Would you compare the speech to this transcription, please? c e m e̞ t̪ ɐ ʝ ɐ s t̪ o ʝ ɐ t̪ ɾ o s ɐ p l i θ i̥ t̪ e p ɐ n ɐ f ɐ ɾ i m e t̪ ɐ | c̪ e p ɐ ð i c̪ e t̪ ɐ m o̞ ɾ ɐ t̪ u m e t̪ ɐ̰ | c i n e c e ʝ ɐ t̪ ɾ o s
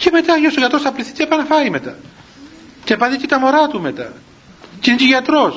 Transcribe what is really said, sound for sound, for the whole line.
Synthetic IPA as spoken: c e m e̞ t̪ ɐ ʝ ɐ s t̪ o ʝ ɐ t̪ ɾ o s ɐ p l i θ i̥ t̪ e p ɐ n ɐ f ɐ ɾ i m e t̪ ɐ | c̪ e p ɐ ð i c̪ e t̪ ɐ m o̞ ɾ ɐ t̪ u m e t̪ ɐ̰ | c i n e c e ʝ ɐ t̪ ɾ o s